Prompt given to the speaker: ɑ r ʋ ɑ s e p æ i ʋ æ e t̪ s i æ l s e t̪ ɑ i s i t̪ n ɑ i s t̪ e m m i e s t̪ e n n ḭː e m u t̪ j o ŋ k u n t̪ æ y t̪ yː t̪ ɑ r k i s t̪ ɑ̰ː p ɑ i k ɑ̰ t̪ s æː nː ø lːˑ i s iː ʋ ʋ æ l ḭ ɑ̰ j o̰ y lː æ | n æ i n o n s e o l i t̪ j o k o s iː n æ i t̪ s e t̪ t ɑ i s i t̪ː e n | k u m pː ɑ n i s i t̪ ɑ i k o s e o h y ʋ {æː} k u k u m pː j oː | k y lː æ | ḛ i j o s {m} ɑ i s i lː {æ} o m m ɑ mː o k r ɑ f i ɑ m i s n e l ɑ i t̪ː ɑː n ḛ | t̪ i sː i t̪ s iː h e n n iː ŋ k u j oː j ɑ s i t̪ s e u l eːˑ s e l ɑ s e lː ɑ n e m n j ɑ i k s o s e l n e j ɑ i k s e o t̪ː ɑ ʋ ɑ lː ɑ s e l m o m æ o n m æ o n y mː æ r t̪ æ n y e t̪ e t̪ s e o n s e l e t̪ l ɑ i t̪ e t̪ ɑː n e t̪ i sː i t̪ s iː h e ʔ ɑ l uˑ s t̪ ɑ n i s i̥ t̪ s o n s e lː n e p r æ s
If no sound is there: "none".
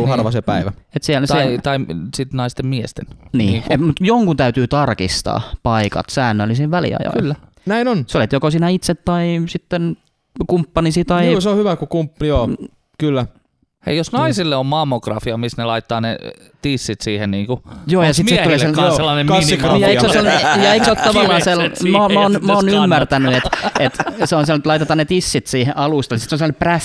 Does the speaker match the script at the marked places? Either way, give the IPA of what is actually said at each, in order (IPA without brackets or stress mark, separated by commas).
æ, n, e